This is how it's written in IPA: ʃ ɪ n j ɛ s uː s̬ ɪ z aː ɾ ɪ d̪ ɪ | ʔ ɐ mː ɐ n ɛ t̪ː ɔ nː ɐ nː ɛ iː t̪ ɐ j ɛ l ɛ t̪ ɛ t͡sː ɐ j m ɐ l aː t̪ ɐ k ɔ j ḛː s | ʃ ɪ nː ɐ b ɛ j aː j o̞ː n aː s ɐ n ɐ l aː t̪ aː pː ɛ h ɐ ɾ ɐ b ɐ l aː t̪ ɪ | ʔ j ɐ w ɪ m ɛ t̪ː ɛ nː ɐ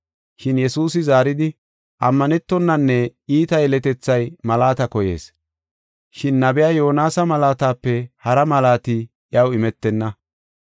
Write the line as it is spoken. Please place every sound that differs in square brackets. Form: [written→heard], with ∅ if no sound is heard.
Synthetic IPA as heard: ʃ ɪ n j ɛ s uː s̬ ɪ z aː ɾ ɪ d̪ ɪ | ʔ ɐ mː ɐ n ɛ t̪ː ɔ nː ɐ nː ɛ iː t̪ ɐ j ɛ l ɛ t̪ ɛ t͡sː ɐ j m ɐ l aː t̪ ɐ k ɔ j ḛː s | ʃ ɪ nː ɐ b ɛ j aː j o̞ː n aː s ɐ [n→m] ɐ l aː t̪ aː pː ɛ h ɐ ɾ ɐ [b→m] ɐ l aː t̪ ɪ | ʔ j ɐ w ɪ m ɛ t̪ː ɛ nː ɐ